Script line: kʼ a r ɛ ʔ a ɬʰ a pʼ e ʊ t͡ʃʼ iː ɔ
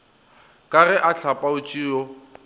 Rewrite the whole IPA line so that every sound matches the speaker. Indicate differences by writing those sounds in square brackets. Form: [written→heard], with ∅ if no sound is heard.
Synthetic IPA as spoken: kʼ a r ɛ ʔ a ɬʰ a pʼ [e→a] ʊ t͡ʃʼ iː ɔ